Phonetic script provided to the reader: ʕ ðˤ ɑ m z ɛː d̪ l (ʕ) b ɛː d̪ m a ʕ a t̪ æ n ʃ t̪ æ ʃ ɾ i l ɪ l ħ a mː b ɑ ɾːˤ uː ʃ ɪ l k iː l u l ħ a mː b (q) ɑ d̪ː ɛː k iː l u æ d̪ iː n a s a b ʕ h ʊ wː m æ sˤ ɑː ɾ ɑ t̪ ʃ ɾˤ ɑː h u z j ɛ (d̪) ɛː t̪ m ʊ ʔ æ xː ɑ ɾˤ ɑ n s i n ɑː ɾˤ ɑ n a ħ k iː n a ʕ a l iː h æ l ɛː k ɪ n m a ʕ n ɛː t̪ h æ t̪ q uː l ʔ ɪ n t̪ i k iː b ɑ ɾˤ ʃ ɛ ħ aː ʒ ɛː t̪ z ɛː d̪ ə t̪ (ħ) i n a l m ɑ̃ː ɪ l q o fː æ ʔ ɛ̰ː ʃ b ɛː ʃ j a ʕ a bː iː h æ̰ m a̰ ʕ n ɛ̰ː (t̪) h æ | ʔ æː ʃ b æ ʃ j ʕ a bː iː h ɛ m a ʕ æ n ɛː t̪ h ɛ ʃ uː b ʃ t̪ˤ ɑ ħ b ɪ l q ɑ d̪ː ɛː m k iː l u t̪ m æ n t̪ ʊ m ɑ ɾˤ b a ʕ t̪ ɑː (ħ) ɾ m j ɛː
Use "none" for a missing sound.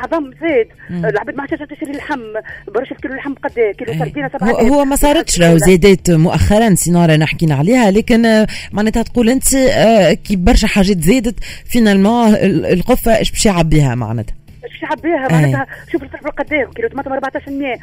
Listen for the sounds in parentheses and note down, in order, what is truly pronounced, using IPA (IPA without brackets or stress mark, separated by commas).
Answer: ʕ, q, d̪, f, t̪, ʃ